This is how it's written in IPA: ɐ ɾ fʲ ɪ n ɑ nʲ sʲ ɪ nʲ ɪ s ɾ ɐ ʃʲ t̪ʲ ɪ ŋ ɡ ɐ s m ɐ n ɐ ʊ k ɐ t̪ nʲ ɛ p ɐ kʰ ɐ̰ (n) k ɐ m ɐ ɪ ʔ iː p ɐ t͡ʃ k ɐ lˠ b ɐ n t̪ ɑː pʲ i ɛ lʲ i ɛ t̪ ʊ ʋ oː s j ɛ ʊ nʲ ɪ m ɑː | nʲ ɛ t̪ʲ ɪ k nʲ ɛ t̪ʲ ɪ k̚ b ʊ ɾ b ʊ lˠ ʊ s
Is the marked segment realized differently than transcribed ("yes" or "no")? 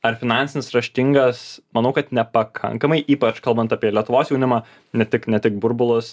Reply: yes